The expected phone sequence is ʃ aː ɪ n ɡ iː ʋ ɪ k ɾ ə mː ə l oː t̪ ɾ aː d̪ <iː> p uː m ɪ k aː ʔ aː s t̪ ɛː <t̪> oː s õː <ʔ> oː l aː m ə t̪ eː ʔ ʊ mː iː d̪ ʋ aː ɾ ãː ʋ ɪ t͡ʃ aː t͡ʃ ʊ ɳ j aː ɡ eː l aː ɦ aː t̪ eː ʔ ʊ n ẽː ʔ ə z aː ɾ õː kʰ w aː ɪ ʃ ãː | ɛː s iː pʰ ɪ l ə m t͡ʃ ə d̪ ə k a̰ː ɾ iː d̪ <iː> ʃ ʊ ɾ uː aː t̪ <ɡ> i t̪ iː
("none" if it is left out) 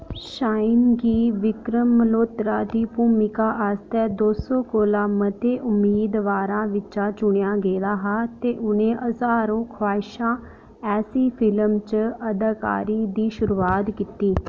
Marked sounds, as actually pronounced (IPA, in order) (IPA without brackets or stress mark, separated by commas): iː, d̪, k, iː, k